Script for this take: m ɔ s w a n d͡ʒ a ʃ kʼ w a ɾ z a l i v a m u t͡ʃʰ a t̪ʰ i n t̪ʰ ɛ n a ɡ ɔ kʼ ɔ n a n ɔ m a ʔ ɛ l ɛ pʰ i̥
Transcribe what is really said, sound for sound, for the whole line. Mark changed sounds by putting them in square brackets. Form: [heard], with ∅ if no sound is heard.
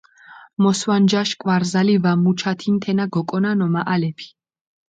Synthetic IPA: m ɔ s w a n d͡ʒ a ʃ kʼ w a ɾ z a l i v a m u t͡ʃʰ a t̪ʰ i n t̪ʰ ɛ n a ɡ ɔ kʼ ɔ n a n ɔ m a ʔ [a] l ɛ pʰ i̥